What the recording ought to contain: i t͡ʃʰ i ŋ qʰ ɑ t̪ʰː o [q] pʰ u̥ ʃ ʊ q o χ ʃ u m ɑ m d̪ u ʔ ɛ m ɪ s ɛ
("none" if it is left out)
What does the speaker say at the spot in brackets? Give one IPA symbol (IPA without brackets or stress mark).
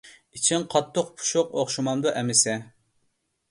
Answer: q